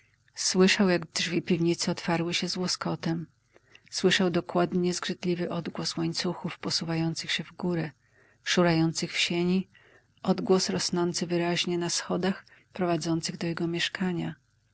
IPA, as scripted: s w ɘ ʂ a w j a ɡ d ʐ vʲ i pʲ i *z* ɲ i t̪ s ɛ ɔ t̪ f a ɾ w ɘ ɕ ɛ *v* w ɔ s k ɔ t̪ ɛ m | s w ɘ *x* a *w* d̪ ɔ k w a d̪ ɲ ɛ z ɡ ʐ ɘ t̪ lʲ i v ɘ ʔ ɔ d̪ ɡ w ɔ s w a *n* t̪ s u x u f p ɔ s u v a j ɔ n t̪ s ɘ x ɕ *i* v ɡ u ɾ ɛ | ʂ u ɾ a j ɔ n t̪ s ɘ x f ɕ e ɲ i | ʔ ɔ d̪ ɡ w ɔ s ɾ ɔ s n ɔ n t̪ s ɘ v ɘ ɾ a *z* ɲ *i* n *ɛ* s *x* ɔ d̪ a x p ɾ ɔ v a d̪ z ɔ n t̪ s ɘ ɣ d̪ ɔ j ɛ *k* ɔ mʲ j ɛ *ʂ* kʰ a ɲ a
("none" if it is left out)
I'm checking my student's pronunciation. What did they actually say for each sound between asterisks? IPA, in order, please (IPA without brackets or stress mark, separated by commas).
v, z, ʂ, w, ɲ, ɛ, ʑ, ɛ, a, x, ɡ, ʂ